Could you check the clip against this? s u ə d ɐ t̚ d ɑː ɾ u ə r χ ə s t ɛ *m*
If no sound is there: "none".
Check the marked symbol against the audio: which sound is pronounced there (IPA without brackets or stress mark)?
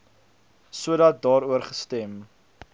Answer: m